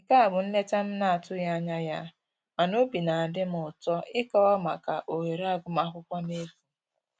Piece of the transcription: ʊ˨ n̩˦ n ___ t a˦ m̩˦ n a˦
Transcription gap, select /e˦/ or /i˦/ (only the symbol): e˦